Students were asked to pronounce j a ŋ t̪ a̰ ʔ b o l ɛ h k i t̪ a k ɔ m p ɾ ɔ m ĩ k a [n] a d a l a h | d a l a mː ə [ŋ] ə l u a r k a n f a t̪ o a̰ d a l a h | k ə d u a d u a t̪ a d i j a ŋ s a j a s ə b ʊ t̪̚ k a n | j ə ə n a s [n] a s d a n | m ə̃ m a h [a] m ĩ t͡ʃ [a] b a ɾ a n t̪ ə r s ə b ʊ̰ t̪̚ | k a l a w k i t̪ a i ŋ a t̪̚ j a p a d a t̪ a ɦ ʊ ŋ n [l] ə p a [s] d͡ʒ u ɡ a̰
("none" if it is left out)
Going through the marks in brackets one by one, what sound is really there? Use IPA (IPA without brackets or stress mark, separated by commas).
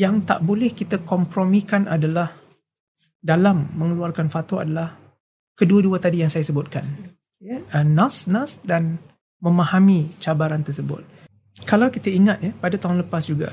n, ŋ, n, a, a, l, s